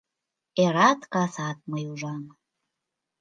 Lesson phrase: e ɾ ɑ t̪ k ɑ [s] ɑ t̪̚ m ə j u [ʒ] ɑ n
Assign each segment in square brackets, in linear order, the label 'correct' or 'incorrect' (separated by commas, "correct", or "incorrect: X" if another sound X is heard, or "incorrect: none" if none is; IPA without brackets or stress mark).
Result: correct, correct